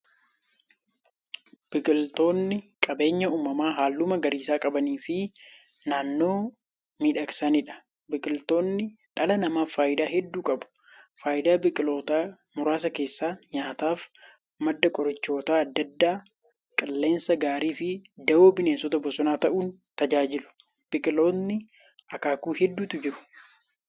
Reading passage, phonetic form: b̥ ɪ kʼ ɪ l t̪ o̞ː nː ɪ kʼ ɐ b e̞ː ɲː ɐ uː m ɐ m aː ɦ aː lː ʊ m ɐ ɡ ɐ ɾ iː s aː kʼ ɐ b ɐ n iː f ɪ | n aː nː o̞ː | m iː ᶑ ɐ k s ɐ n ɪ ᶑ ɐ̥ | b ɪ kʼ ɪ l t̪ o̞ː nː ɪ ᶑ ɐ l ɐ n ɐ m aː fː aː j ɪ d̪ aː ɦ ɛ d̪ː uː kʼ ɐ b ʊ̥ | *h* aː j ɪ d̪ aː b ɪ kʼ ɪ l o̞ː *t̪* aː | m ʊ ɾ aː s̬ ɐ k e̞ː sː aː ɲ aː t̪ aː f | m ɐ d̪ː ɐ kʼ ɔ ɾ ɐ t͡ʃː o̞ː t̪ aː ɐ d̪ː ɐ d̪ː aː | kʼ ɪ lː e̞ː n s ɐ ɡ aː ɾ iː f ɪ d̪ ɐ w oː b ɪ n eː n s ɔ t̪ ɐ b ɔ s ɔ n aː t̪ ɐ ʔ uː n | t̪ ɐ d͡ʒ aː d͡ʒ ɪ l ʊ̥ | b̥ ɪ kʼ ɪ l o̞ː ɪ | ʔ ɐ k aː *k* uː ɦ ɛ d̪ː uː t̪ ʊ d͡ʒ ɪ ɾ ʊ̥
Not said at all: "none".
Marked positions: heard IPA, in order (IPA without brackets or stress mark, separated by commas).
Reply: f, t̪, k